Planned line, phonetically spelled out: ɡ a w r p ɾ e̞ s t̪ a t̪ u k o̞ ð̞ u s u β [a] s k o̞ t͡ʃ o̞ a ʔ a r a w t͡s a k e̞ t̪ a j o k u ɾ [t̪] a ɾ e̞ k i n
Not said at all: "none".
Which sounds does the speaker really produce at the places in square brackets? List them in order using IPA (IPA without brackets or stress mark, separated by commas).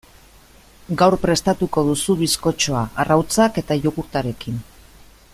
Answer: i, t̪